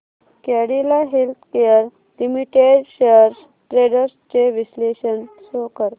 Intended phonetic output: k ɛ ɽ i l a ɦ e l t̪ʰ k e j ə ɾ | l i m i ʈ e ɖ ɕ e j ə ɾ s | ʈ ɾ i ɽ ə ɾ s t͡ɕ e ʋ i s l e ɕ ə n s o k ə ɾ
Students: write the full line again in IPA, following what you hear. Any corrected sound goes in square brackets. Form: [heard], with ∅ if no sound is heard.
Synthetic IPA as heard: k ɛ ɽ i l a ɦ e l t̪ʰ k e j ə ɾ | l i m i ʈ e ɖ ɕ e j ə ɾ s | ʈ ɾ [e] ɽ ə ɾ s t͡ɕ e ʋ i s l e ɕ ə n s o k ə ɾ